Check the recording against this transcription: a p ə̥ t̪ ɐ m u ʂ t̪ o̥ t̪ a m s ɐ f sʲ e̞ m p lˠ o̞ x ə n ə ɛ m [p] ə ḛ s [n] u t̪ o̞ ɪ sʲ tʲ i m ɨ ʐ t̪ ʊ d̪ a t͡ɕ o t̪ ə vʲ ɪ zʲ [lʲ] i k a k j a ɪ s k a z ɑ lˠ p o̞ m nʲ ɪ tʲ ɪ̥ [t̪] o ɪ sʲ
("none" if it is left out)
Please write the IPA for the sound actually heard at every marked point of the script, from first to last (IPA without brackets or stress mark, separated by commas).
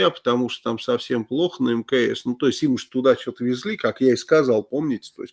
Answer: k, n, lʲ, t̪